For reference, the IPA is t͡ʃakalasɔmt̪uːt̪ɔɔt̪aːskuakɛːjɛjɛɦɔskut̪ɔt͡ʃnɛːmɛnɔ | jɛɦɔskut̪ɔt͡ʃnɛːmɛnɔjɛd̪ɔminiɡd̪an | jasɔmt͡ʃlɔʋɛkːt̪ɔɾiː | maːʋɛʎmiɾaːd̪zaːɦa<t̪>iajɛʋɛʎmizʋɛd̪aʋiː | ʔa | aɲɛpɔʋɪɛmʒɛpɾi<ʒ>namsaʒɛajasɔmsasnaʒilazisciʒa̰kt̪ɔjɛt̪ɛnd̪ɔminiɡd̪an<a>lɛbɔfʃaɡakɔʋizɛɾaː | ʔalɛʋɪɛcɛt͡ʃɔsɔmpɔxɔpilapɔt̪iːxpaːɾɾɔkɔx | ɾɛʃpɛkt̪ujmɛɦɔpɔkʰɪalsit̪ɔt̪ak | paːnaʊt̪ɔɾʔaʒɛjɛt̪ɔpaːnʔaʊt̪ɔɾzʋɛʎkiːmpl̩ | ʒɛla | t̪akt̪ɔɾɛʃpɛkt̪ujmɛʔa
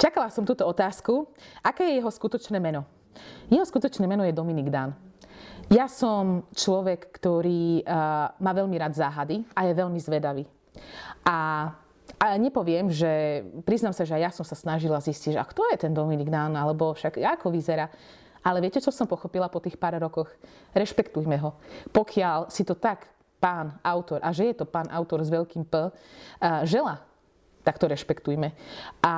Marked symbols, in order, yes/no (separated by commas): no, no, yes